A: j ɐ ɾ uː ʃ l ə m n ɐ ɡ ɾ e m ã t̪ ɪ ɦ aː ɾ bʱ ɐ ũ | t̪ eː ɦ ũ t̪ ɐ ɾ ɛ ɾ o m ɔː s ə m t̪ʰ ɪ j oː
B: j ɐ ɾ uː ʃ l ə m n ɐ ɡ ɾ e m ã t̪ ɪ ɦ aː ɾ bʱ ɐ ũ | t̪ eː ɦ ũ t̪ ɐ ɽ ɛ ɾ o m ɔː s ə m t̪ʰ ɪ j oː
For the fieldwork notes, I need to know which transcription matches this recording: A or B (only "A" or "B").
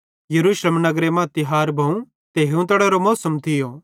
B